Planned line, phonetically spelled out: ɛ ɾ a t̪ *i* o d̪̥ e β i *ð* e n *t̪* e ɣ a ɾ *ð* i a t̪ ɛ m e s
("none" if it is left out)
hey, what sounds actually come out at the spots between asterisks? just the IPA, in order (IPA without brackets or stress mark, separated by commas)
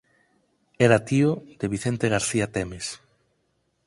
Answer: i, θ, t̪, θ